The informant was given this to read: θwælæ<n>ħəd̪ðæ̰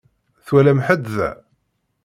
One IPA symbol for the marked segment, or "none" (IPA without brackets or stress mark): m